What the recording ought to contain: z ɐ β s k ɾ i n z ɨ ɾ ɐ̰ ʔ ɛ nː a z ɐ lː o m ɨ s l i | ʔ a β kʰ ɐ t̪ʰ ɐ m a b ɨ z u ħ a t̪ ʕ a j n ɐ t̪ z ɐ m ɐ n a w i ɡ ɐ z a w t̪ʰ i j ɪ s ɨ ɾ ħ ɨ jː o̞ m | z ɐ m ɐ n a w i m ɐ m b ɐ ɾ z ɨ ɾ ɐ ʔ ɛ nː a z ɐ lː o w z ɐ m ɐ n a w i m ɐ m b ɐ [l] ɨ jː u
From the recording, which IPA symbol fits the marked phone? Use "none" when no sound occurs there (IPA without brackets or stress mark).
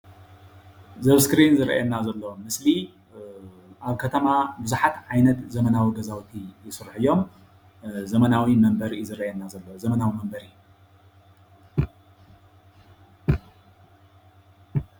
ɾ